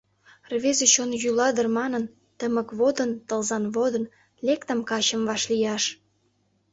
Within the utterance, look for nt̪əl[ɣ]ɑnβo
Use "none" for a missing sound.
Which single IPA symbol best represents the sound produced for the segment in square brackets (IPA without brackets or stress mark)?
z